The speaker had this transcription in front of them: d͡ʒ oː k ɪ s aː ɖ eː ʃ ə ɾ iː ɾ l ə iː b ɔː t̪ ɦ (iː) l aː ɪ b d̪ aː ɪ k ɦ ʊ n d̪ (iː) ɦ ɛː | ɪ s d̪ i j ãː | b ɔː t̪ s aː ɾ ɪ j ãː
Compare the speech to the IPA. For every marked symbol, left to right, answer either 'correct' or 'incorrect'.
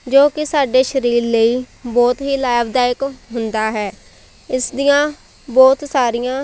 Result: correct, incorrect

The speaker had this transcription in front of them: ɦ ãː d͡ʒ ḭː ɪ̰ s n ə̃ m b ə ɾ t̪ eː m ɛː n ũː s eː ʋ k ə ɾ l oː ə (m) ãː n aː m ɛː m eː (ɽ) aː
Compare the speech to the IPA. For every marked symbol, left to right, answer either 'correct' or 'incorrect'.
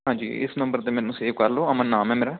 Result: correct, incorrect

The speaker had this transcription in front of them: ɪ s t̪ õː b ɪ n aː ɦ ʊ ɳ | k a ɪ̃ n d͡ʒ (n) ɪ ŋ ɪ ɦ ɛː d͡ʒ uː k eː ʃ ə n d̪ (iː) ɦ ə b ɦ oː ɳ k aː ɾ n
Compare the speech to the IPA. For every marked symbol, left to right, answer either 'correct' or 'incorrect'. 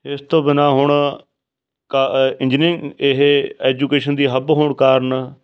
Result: correct, correct

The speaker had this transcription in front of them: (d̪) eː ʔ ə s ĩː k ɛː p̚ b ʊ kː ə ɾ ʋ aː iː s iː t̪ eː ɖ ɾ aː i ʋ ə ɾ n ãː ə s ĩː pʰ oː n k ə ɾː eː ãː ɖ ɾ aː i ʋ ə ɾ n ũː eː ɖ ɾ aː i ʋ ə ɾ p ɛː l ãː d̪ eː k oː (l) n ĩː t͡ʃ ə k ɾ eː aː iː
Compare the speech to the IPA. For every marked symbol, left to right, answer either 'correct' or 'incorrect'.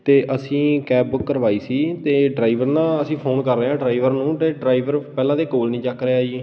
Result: incorrect, correct

